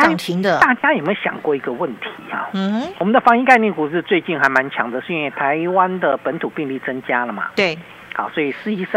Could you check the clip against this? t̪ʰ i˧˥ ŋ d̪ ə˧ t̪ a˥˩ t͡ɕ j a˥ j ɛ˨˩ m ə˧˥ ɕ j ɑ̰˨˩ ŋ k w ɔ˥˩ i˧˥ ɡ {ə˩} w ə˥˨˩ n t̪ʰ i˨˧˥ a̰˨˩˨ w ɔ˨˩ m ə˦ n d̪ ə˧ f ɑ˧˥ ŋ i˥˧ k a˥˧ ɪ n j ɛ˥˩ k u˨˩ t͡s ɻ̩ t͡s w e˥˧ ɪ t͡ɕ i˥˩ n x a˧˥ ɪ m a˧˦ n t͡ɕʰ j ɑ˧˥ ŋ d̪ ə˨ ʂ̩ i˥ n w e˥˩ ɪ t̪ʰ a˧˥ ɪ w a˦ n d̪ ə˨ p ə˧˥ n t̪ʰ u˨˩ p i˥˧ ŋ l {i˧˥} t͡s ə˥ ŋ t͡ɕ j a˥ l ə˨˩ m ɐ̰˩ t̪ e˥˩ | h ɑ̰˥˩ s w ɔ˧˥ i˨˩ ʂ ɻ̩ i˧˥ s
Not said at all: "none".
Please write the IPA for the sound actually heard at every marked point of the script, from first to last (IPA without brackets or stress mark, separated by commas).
ə˧, i˥˩